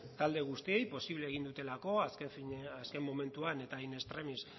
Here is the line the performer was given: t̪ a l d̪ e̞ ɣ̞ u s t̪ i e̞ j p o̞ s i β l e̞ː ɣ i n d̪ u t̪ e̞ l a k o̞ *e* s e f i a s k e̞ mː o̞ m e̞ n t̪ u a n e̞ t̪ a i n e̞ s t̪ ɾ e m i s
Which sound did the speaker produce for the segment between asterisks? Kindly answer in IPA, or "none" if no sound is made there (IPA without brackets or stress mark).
a